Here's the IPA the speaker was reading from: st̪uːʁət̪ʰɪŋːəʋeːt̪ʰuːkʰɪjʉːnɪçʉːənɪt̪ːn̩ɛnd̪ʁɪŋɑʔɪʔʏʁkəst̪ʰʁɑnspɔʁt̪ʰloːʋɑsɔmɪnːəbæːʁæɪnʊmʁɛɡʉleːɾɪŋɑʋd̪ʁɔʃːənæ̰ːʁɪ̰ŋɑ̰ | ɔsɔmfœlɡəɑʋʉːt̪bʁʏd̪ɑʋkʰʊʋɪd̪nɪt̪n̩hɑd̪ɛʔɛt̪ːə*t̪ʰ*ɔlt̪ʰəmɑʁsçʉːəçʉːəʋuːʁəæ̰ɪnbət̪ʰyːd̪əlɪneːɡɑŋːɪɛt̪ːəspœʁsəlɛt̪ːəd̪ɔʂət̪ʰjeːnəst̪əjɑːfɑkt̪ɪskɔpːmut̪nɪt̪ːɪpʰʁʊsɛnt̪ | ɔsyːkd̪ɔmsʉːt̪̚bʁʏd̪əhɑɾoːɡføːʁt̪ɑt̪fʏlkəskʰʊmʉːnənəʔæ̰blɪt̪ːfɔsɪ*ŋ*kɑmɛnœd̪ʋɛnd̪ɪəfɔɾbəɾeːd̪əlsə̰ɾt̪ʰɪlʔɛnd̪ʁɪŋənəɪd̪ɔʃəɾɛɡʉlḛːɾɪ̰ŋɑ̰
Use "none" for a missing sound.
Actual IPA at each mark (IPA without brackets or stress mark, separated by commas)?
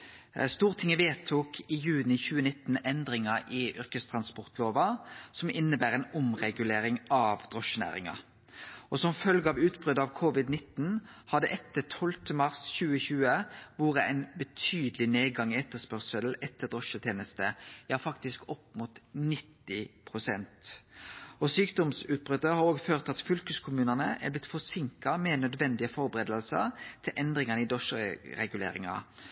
t̪ʰ, ŋ